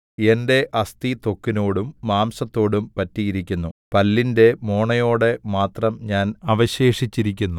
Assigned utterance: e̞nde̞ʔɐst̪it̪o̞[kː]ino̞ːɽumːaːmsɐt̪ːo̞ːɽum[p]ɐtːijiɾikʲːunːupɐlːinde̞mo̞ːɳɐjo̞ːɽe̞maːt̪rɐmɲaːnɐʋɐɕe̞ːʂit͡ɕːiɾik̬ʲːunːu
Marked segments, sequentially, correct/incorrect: correct, correct

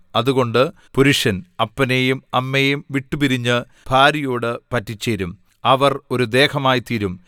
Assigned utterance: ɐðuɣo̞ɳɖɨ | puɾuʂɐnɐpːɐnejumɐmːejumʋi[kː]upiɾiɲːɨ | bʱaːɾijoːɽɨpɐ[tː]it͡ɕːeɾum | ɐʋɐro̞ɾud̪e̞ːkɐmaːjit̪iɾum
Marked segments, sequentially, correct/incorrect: incorrect: ʈː, correct

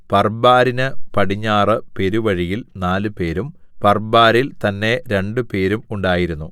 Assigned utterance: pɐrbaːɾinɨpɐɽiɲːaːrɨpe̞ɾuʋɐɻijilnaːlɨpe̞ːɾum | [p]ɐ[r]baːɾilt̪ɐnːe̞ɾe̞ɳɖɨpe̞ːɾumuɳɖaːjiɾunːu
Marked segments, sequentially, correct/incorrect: correct, correct

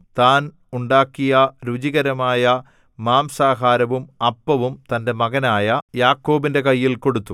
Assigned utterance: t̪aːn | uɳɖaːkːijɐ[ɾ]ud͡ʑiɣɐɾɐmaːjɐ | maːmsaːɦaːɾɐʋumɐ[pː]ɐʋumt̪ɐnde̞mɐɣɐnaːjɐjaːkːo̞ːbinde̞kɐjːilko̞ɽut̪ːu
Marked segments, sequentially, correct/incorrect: correct, correct

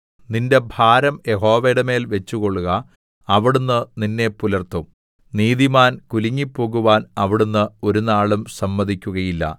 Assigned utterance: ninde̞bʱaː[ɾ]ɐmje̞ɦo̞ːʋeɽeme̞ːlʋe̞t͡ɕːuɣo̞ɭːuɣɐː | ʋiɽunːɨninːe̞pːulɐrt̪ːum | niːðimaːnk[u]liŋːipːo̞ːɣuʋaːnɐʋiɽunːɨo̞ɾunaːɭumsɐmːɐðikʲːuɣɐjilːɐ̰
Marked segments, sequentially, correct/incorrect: correct, correct

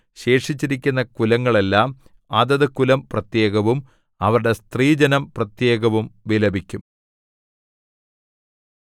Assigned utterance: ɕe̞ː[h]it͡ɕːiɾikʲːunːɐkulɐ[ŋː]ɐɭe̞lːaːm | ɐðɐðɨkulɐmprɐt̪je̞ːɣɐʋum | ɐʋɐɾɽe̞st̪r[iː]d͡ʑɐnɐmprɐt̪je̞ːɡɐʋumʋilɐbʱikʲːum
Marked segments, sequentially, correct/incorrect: incorrect: ʂ, correct, correct

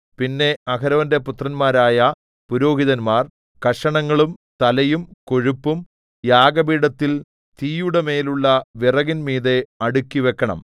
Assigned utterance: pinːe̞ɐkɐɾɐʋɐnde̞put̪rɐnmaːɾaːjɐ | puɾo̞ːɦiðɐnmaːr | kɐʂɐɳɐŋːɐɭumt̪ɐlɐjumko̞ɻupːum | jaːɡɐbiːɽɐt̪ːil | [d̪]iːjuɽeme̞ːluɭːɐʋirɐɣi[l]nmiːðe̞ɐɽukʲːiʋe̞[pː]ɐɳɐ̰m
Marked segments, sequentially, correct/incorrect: incorrect: t̪, incorrect: none, incorrect: kː

